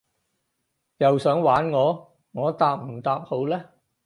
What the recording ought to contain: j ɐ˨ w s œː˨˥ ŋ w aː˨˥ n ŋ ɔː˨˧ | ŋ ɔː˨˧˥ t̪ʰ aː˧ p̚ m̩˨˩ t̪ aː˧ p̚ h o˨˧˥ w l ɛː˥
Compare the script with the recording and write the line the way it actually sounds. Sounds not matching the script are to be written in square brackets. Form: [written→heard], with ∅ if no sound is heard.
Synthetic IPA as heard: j ɐ˨ w s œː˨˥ ŋ w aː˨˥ n ŋ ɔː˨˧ | ŋ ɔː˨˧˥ [t̪ʰ→t̪] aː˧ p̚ m̩˨˩ t̪ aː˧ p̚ h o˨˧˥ w l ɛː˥